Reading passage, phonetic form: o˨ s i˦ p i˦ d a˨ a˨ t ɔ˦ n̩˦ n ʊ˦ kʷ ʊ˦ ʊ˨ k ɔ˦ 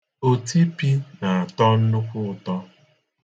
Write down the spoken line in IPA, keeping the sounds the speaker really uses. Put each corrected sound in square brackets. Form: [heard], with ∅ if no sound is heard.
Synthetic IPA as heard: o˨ [t] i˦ p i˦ [n] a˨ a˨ t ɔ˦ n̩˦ n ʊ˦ kʷ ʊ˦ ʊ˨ [t] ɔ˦